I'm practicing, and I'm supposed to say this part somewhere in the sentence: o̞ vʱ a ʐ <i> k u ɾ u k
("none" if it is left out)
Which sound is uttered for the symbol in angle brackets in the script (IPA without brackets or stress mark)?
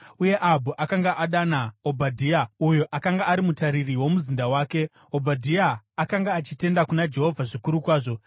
i